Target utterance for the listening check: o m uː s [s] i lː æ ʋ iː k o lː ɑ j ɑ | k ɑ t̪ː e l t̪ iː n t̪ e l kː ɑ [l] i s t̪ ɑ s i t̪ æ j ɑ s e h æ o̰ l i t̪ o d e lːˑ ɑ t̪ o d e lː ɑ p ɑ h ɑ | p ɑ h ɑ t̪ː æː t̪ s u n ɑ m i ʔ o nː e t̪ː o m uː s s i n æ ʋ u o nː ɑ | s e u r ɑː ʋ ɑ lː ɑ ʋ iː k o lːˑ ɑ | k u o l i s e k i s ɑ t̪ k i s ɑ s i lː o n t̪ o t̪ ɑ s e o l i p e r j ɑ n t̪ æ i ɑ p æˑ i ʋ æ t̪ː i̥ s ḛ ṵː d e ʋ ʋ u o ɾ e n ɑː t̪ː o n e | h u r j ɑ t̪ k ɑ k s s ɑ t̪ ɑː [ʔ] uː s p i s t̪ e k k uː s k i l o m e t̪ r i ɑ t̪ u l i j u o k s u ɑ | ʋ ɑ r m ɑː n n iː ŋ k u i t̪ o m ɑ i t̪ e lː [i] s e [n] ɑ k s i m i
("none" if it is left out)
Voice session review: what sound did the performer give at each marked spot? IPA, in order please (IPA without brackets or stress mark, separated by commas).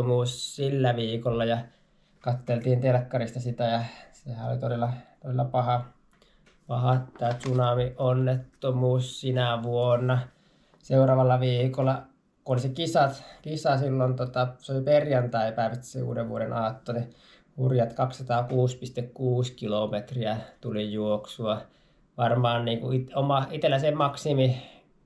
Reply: s, r, k, æ, m